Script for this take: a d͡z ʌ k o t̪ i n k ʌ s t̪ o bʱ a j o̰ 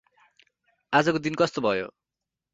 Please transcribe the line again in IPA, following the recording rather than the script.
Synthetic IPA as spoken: a d͡z ʌ k o d̪ i n k ʌ s t̪ o bʱ ʌ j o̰